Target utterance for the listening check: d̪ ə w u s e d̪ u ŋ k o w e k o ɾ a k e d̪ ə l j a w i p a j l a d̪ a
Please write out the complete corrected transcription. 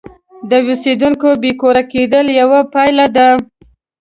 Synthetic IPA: d̪ ə w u s e d̪ u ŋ k o b e k o ɾ a k e d̪ ə l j a w a p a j l a d̪ a

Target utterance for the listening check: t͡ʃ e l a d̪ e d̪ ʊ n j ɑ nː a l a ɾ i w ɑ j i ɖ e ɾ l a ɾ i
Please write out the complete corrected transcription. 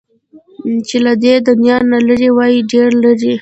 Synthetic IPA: t͡ʃ e l a d̪ e d̪ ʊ n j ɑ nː a l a ɾ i w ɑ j i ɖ e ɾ l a ɾ i

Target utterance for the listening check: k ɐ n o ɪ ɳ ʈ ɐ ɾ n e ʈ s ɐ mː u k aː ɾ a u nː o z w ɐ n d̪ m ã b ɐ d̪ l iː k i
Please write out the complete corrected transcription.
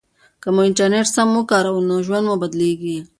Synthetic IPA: k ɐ m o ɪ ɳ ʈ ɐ ɾ n e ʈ s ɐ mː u k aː ɾ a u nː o ʒ w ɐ n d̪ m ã b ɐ d̪ l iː ɡ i

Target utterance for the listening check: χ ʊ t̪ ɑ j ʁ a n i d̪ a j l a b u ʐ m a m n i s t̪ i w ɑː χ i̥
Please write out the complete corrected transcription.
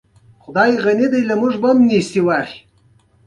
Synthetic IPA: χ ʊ d̪ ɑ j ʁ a n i d̪ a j l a m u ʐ b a m n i s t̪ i w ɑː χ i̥

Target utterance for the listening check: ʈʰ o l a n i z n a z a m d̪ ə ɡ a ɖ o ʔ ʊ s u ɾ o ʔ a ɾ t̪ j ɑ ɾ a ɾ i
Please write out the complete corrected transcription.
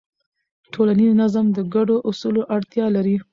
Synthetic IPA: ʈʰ o l a n i z n a z a m d̪ ə ɡ a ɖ o ʔ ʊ s u l o ʔ a ɽ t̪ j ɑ l a ɾ i

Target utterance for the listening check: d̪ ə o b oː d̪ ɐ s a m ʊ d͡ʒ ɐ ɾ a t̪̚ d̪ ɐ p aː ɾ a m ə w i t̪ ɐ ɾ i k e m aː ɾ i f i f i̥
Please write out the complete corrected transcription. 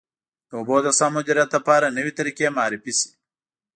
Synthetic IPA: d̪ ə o b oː d̪ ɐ s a m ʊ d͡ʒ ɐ ɾ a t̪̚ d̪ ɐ p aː ɾ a n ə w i t̪ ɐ ɾ i k e m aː ɾ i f i s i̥

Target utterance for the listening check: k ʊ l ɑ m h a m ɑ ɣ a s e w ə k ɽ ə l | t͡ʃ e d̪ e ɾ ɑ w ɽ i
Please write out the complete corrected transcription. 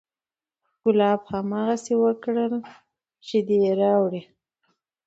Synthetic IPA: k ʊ l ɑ b h a m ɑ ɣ a s e w ə k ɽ ə l | t͡ʃ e d̪ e ɾ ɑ w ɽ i

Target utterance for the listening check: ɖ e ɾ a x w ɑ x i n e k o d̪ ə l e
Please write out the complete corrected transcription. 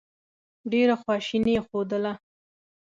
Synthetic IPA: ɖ e ɾ a x w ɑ ʃ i n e x o d̪ ə l a

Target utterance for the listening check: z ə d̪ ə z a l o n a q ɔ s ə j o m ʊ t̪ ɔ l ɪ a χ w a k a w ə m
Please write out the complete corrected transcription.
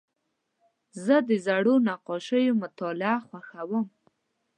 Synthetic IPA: z ə d̪ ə z a ɽ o n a q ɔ ʃ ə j o m ʊ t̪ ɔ l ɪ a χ w a x a w ə m

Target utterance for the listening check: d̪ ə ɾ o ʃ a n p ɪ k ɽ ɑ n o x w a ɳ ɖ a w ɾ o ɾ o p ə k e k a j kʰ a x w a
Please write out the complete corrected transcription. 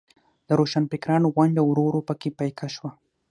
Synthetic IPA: d̪ ə ɾ o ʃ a n p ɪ k ɾ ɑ n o ɣ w a ɳ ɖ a w ɾ o ɾ o p ə k e p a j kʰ a ʃ w a

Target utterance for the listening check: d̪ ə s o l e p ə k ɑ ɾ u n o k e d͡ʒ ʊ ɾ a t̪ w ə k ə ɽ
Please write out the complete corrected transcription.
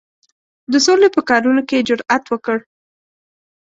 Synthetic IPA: d̪ ə s o l e p ə k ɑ ɾ u n o k e d͡ʒ ʊ ɾ a t̪ w ə k ə ɽ

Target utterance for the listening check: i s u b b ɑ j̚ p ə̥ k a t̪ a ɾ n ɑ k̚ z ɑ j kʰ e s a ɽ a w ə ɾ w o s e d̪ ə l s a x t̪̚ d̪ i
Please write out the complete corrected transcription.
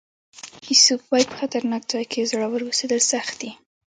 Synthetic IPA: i s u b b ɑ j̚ p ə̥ x a t̪ a ɾ n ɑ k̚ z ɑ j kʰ e z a ɽ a w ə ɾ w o s e d̪ ə l s a x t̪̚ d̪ i

